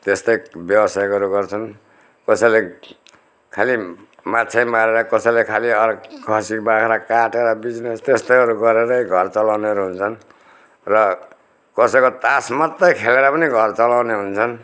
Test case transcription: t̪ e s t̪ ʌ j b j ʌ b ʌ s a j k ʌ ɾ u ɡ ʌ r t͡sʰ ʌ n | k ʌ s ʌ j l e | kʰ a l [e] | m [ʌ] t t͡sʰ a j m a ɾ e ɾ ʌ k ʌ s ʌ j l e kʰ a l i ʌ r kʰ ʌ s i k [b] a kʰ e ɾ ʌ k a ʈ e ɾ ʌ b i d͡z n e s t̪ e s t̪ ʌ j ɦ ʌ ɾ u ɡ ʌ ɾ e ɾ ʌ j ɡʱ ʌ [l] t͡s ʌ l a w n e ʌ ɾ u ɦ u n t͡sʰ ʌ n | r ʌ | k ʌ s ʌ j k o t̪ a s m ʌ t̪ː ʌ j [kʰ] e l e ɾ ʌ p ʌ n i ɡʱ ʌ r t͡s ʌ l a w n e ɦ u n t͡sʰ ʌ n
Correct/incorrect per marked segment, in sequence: incorrect: i, incorrect: a, correct, incorrect: r, correct

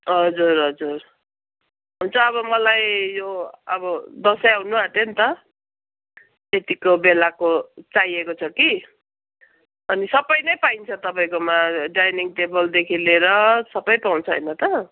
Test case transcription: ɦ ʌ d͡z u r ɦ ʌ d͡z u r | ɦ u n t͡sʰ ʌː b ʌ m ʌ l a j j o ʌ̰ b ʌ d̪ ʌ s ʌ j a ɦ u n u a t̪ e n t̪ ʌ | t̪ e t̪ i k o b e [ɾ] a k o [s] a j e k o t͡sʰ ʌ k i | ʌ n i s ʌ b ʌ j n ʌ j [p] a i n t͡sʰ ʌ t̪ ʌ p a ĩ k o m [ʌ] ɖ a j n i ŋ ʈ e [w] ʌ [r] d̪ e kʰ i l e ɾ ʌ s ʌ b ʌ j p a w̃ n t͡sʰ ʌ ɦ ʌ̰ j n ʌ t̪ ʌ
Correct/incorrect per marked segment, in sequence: incorrect: l, incorrect: t͡s, correct, incorrect: a, incorrect: b, incorrect: l

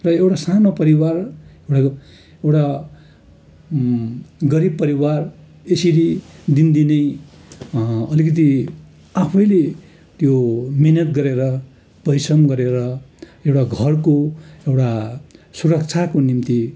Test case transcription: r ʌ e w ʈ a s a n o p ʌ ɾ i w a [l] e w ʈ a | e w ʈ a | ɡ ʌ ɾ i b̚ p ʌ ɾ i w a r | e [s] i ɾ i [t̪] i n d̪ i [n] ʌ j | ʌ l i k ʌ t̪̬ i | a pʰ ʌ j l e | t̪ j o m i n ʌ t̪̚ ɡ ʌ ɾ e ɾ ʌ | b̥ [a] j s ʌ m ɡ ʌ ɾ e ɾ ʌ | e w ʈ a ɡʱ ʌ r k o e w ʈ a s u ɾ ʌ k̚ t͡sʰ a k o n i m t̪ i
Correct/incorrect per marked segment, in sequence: incorrect: r, correct, incorrect: d̪, correct, incorrect: ʌ

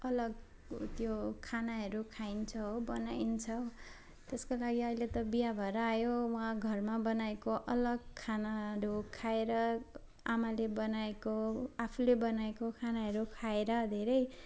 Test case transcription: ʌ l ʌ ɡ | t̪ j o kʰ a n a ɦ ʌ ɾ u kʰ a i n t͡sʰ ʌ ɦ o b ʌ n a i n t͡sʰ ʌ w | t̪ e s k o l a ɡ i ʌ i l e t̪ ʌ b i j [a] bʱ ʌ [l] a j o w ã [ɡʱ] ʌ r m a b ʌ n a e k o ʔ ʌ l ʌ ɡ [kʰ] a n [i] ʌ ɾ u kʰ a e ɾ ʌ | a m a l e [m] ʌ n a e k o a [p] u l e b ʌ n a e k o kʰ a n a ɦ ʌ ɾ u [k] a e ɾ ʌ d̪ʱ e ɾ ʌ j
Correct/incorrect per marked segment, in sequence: correct, incorrect: ɾ, correct, correct, incorrect: a, incorrect: b, incorrect: pʰ, incorrect: kʰ

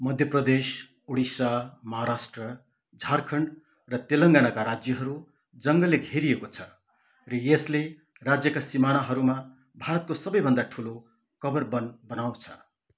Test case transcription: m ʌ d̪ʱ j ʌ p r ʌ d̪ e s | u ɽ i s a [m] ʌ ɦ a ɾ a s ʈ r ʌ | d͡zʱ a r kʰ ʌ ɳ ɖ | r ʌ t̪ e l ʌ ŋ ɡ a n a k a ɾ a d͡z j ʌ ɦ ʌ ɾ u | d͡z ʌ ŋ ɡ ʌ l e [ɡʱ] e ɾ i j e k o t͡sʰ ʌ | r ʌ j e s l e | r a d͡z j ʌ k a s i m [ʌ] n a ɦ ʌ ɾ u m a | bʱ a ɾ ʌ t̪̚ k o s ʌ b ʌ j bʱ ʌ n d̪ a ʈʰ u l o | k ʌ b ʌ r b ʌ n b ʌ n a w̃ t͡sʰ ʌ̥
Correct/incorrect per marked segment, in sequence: correct, correct, incorrect: a

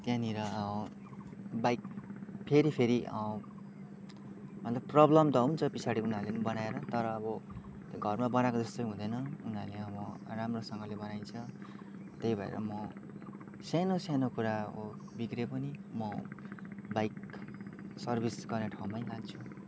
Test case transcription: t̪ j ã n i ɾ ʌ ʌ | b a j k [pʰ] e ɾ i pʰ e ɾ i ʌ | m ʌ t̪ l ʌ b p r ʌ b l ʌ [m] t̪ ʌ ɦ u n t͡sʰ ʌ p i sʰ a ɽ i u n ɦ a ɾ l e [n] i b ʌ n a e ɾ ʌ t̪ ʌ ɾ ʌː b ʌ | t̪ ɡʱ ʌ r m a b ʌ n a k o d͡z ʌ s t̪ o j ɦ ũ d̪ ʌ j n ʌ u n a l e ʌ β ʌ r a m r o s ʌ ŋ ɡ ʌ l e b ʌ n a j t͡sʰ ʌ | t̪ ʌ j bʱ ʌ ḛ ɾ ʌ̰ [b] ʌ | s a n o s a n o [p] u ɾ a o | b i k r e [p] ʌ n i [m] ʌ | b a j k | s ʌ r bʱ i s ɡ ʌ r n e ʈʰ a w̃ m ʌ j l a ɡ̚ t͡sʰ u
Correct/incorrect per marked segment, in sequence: correct, correct, correct, incorrect: m, incorrect: k, correct, correct

